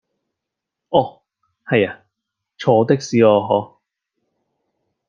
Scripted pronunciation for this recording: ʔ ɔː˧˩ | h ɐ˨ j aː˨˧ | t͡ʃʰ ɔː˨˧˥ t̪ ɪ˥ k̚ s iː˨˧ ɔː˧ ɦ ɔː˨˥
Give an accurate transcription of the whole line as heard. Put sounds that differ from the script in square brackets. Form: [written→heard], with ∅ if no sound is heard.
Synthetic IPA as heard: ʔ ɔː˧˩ | h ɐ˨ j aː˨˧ | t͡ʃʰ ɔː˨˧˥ t̪ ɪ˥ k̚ s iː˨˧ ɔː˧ ɦ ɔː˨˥